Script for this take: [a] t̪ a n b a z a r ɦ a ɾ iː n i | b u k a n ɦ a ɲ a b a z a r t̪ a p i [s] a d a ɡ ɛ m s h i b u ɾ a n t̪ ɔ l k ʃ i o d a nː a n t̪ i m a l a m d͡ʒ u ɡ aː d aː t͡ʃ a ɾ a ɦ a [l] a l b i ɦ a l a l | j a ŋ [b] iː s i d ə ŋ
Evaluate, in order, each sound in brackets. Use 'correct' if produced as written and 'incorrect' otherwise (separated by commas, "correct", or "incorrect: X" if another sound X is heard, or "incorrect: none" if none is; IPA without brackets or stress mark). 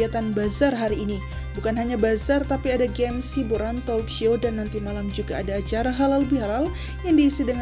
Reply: correct, incorrect: none, correct, incorrect: d